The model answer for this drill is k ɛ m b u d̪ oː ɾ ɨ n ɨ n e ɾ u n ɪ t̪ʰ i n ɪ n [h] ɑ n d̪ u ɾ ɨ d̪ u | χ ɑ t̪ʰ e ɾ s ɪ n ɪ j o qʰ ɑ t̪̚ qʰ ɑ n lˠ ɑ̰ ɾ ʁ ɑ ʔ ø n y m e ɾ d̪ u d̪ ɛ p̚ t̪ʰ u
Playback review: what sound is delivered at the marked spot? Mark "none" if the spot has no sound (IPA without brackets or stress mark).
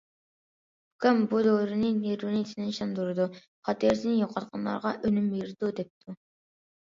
ʃ